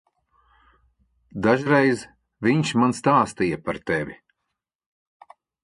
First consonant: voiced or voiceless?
voiced